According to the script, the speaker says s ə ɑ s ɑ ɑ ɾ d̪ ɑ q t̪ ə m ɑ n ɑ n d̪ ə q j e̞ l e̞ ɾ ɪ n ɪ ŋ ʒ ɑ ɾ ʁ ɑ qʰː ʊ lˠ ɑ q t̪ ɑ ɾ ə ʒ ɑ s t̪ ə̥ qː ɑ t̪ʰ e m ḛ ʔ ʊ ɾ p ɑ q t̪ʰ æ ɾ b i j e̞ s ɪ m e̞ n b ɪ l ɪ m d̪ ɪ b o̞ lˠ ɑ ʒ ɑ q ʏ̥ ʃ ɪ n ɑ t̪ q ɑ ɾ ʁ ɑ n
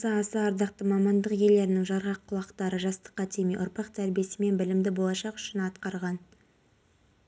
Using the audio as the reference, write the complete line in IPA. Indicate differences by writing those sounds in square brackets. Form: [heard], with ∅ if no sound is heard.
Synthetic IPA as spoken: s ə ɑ s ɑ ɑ ɾ d̪ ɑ q t̪ ə m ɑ [m] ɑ n d̪ ə q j e̞ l e̞ ɾ ɪ n ɪ ŋ ʒ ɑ ɾ ʁ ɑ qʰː ʊ lˠ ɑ q t̪ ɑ ɾ ə ʒ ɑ s t̪ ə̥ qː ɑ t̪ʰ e m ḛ ʔ ʊ ɾ p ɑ q t̪ʰ æ ɾ b i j e̞ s ɪ m e̞ n b ɪ l ɪ m d̪ ɪ b o̞ lˠ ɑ [ʃ] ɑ q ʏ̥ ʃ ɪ n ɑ t̪ q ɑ ɾ ʁ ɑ n